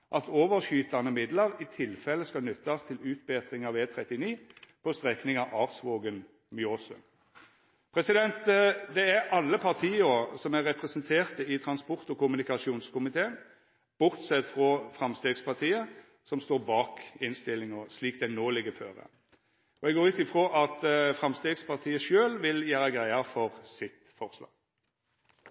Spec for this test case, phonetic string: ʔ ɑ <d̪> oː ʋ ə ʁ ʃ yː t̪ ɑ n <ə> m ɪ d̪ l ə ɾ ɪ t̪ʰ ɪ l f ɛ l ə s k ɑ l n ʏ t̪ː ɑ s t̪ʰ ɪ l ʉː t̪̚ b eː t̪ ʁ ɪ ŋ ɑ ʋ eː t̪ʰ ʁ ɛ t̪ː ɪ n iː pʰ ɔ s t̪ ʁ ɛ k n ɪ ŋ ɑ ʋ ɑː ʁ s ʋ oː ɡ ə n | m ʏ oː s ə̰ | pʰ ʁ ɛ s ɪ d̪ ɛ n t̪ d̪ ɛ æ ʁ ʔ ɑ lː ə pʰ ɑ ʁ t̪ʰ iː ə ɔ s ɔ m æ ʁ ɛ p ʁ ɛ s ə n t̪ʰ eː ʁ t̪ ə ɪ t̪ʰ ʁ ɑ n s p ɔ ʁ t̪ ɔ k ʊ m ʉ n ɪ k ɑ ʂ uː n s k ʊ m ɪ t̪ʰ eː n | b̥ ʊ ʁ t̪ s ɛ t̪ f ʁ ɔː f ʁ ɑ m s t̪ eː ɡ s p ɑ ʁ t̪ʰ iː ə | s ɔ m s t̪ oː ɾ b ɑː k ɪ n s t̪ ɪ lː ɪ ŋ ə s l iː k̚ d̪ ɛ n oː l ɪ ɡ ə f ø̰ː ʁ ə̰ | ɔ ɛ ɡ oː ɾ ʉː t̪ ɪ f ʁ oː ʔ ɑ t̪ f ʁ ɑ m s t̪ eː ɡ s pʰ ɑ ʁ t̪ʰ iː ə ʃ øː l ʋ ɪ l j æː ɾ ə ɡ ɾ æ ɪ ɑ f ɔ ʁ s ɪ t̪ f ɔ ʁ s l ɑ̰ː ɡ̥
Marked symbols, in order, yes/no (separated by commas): no, yes